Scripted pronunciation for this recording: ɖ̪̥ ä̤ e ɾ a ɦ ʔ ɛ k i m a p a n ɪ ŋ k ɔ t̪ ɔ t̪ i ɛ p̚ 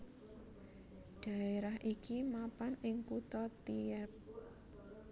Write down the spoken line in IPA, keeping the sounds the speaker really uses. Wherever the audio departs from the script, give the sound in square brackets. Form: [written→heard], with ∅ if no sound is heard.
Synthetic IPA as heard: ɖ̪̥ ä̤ e ɾ a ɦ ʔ [ɛ→i] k i m a p a n ɪ ŋ k [ɔ→u] t̪ ɔ t̪ i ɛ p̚